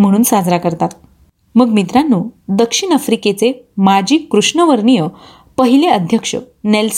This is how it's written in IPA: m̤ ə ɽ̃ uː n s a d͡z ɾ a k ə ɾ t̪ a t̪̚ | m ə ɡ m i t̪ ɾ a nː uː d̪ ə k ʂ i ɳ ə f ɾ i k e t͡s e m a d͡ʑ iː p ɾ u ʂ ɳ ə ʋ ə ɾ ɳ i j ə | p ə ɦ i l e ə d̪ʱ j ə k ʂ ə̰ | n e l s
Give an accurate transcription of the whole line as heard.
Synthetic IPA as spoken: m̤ ə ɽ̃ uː n s a d͡z ɾ a k ə ɾ t̪ a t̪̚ | m ə ɡ m i t̪ ɾ a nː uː d̪ ə k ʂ i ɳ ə f ɾ i k e t͡s e m a d͡ʑ iː k ɾ u ʂ ɳ ə ʋ ə ɾ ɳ i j ə | p ə ɦ i l e ə d̪ʱ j ə k ʂ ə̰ | n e l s